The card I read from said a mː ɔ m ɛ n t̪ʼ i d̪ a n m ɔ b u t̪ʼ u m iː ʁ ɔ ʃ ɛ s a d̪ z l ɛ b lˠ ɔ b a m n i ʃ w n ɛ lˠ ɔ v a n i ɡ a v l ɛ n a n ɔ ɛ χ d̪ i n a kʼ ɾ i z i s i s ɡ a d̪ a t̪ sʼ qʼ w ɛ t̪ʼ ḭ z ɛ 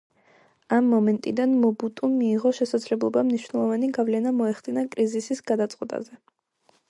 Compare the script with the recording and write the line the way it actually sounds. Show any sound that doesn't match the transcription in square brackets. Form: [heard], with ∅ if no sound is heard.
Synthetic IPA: a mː ɔ m ɛ n t̪ʼ i d̪ a n m ɔ b u t̪ʼ u m iː ʁ ɔ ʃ ɛ s a d̪ z l ɛ b lˠ ɔ b a m n i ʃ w n ɛ lˠ ɔ v a n i ɡ a v l ɛ n a [m] ɔ ɛ χ d̪ i n a kʼ ɾ i z i s i s ɡ a d̪ a t̪ sʼ qʼ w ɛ t̪ʼ [a̰] z ɛ